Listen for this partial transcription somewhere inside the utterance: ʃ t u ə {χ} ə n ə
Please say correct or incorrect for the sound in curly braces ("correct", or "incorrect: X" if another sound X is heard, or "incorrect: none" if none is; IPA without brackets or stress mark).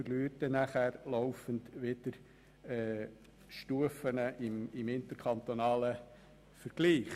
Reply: incorrect: f